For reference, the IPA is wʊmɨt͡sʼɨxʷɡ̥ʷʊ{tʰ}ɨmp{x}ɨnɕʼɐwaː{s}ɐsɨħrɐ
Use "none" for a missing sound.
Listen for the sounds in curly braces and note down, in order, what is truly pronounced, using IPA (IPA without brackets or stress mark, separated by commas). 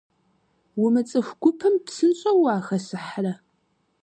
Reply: pʰ, s, x